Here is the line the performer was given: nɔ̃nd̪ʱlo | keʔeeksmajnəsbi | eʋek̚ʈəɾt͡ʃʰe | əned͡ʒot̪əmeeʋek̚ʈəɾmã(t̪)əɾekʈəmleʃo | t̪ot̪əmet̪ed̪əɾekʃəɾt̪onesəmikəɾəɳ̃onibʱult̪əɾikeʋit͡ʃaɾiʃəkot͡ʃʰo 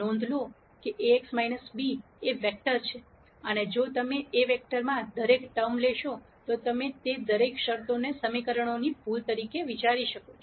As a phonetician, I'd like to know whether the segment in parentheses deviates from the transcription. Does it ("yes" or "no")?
yes